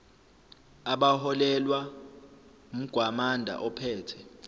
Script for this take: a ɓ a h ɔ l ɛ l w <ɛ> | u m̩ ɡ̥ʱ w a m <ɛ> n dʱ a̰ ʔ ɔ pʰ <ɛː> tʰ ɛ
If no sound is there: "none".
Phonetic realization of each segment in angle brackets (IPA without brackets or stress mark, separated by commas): a, a, ɛː